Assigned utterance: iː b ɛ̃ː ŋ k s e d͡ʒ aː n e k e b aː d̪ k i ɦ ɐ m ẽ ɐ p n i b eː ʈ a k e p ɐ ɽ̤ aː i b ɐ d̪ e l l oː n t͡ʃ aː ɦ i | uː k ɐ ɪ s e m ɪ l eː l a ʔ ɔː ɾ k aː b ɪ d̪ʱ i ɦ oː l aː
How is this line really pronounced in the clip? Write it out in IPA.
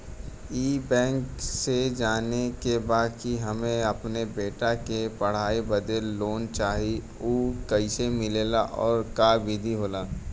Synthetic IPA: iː b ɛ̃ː ŋ k s e d͡ʒ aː n e k e b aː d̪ k i ɦ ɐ m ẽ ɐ p n e b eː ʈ a k e p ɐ ɽ̤ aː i b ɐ d̪ e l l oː n t͡ʃ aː ɦ i | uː k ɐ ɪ s e m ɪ l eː l a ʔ ɔː ɾ k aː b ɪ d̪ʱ i ɦ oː l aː